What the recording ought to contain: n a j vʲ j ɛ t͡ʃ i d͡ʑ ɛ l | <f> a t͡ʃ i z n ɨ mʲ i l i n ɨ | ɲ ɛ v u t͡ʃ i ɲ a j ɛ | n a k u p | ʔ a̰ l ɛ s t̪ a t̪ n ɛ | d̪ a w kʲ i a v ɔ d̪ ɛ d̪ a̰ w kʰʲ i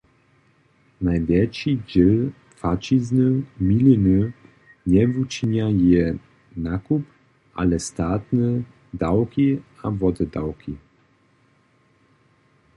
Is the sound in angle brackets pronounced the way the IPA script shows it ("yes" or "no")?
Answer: yes